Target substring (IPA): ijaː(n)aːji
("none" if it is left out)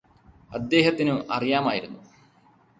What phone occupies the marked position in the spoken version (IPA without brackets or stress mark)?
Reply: m